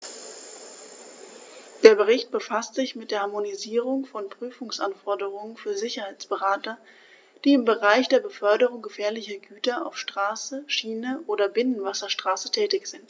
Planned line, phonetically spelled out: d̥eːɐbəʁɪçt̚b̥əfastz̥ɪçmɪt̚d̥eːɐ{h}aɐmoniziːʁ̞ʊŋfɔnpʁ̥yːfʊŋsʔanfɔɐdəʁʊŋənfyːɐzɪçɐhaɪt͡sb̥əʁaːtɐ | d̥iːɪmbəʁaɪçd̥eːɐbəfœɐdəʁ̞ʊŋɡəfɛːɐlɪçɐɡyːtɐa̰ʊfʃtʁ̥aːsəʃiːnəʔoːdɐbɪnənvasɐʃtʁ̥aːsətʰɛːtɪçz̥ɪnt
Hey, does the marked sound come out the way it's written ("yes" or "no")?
yes